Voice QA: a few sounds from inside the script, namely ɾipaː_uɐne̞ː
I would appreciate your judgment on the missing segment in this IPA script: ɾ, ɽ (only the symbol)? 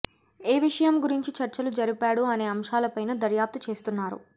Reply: ɽ